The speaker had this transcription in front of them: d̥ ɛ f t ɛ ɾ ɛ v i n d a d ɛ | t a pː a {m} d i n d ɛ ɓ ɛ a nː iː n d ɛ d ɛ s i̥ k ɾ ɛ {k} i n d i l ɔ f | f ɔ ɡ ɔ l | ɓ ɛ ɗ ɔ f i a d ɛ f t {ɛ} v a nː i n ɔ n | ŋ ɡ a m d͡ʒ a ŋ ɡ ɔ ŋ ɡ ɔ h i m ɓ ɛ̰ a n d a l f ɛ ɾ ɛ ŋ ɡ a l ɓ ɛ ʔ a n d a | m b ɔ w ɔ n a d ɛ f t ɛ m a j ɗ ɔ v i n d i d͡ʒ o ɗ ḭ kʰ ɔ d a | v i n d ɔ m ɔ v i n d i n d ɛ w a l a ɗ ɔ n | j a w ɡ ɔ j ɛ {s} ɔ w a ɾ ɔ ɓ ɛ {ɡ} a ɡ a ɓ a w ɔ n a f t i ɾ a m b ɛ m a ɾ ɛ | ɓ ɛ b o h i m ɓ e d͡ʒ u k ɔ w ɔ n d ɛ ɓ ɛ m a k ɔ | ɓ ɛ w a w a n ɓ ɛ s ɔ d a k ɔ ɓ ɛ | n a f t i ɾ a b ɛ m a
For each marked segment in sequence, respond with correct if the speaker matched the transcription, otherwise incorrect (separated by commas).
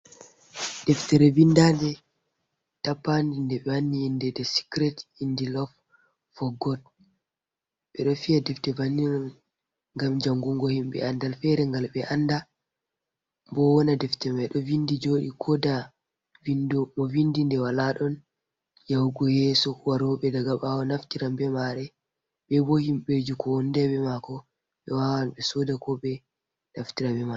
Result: incorrect, incorrect, correct, correct, incorrect